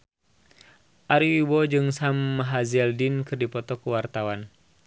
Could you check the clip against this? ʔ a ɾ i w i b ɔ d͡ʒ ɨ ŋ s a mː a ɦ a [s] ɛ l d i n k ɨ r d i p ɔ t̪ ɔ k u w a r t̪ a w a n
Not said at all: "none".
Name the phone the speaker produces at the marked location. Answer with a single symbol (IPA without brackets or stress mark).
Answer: z